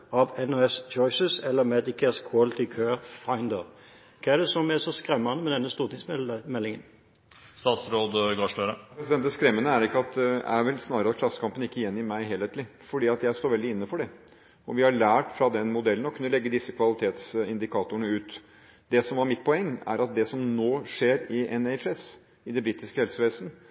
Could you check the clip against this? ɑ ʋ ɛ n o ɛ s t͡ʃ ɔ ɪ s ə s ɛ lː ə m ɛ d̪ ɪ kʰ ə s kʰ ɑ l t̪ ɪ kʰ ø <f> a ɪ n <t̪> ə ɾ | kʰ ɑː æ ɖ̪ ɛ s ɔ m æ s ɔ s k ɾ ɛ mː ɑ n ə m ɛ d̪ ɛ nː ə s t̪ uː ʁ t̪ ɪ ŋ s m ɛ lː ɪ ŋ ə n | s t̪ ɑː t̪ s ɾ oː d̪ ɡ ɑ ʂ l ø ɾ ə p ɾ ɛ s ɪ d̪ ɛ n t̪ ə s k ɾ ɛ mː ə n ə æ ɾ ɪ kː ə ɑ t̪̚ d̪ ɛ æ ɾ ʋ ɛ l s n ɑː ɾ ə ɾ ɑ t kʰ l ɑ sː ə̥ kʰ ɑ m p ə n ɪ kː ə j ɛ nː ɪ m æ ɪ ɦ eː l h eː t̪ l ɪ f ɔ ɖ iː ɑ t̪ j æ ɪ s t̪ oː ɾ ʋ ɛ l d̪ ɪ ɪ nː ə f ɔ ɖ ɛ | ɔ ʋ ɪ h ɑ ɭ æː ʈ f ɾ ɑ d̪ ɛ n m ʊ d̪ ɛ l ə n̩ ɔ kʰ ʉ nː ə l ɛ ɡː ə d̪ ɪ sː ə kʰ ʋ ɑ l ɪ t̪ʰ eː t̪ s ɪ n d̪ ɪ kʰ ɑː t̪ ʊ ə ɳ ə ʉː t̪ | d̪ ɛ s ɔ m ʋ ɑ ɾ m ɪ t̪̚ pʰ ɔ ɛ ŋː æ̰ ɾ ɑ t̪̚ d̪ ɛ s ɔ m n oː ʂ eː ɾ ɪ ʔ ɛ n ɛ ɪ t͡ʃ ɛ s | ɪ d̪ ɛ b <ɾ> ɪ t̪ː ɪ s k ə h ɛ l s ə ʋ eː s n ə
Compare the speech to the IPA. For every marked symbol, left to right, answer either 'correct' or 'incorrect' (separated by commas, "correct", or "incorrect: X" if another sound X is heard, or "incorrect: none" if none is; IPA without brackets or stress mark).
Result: correct, incorrect: d̪, correct